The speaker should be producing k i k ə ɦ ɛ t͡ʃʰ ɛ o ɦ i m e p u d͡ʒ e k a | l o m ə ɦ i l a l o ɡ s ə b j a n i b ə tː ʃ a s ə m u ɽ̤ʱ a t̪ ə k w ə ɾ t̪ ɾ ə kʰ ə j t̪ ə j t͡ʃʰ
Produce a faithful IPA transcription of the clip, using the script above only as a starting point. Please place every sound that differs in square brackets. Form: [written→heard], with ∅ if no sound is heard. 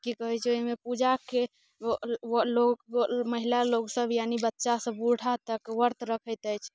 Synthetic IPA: k i k ə ɦ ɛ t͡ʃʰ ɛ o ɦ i m e p u d͡ʒ [e→a] k [a→e] | l o m ə ɦ i l a l o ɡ s ə b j a n i b ə tː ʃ a s ə [m→b] u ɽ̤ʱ a t̪ ə k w ə ɾ t̪ ɾ ə kʰ ə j t̪ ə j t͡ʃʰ